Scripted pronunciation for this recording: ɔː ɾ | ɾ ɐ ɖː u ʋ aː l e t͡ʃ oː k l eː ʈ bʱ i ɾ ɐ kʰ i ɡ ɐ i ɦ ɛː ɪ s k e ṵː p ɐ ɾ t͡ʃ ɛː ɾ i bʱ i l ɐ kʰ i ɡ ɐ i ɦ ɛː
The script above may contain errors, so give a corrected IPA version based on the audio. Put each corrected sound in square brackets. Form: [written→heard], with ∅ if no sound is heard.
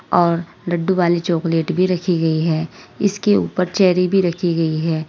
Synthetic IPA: ɔː ɾ | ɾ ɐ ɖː u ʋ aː l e t͡ʃ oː k l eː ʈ bʱ i ɾ ɐ kʰ i ɡ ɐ i ɦ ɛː ɪ s k e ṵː p [ɐ→ə] ɾ t͡ʃ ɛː ɾ i bʱ i [l→ɾ] ɐ kʰ i ɡ ɐ i ɦ ɛː